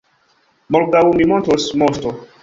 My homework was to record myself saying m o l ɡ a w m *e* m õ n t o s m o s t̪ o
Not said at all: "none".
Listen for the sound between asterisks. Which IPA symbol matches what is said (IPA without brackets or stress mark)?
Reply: i